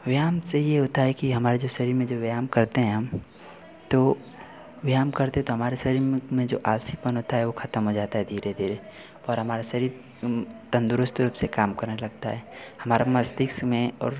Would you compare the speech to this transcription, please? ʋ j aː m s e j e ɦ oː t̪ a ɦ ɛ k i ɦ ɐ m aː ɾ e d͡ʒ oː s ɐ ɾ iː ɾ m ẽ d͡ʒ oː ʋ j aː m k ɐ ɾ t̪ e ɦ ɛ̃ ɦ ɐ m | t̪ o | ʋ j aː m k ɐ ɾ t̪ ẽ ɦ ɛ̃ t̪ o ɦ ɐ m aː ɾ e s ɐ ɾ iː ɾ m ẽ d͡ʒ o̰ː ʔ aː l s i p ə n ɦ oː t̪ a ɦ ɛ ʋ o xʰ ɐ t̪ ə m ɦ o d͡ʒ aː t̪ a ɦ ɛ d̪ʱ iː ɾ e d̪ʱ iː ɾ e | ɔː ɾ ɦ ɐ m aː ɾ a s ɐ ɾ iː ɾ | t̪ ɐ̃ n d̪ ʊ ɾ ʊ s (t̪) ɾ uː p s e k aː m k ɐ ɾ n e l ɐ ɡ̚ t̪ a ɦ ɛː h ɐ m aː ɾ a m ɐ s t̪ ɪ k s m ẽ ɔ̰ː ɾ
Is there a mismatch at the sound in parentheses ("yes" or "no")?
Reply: no